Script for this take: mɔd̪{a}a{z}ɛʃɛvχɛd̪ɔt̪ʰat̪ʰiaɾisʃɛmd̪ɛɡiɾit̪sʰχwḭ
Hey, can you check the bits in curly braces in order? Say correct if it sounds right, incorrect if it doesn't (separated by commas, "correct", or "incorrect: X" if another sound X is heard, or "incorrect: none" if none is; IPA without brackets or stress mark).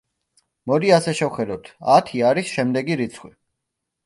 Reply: incorrect: i, incorrect: s